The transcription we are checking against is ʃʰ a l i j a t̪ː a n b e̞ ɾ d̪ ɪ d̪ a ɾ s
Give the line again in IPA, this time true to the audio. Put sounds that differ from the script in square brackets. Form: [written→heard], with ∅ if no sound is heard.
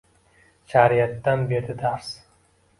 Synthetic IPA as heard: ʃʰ a [l→ɾ] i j a t̪ː a n b e̞ ɾ d̪ ɪ d̪ a ɾ s